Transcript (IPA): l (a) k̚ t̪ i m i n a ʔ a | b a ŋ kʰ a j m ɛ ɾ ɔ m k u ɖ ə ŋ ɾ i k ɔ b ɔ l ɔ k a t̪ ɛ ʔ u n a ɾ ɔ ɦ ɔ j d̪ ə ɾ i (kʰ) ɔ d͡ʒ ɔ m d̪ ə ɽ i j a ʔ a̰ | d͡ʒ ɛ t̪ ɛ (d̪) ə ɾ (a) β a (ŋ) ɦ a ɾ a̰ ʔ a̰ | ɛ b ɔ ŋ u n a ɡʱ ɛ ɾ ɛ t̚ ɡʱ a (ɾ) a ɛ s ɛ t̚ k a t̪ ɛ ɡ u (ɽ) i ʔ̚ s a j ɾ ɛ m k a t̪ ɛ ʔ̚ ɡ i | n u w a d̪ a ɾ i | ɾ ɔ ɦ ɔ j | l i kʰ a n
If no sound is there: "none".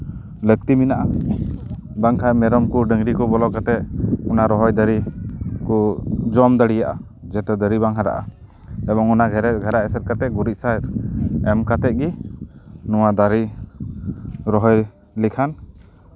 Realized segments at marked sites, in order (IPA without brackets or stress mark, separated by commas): ə, k, d̪, i, ŋ, ɾ, ɾ